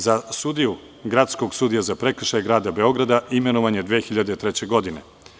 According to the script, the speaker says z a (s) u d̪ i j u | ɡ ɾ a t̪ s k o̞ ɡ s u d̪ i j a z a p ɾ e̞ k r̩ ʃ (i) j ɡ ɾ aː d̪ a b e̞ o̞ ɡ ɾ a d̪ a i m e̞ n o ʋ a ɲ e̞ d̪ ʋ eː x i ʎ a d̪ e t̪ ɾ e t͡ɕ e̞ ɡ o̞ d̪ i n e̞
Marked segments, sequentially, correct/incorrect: correct, incorrect: a

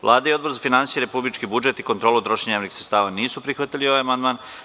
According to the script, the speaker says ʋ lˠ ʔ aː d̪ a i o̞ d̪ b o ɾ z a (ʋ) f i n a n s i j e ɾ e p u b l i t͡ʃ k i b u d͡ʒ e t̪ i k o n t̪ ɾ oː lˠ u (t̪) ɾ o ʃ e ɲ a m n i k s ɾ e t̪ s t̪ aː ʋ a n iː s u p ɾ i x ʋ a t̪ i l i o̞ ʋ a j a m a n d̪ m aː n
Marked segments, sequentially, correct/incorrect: incorrect: none, correct

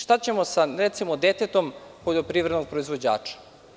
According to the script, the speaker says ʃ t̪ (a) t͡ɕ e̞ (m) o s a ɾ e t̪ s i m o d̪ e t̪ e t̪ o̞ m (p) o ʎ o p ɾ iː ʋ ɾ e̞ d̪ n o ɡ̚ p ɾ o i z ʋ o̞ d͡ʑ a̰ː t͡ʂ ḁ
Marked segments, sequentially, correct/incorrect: correct, correct, correct

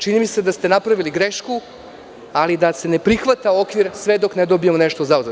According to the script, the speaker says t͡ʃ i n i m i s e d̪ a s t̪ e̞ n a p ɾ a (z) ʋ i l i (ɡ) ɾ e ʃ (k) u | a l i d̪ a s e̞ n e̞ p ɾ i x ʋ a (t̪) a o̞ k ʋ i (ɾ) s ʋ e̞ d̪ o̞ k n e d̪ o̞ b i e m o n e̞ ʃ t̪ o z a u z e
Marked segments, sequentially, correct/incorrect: incorrect: none, correct, correct, correct, correct

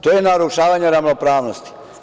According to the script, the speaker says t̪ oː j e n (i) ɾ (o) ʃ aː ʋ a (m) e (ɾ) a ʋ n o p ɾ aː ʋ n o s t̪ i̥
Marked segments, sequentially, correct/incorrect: incorrect: a, incorrect: u, incorrect: ɲ, correct

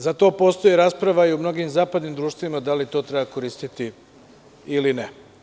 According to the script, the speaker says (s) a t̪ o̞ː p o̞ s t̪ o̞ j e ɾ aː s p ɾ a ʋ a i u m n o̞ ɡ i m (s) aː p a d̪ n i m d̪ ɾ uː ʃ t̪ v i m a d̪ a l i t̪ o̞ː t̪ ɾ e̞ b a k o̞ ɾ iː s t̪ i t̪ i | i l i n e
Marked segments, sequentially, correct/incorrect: incorrect: z, incorrect: z

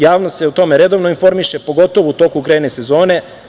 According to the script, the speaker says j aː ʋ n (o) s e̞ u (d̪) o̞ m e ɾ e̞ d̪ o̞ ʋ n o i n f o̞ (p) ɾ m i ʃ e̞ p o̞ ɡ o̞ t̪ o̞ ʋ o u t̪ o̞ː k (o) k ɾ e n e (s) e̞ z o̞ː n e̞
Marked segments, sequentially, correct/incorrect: correct, incorrect: t̪, incorrect: none, incorrect: u, correct

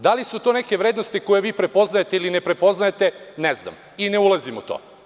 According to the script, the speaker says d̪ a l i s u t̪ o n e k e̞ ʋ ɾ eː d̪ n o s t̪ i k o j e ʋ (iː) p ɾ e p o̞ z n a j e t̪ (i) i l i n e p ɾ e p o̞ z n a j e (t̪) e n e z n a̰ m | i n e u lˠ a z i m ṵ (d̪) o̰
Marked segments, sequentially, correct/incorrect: correct, incorrect: e, correct, incorrect: t̪

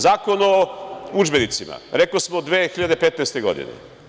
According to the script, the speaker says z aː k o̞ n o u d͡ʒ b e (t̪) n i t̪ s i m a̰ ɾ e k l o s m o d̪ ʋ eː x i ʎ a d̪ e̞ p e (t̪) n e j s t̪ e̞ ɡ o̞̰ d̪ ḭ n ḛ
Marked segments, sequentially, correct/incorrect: incorrect: none, correct

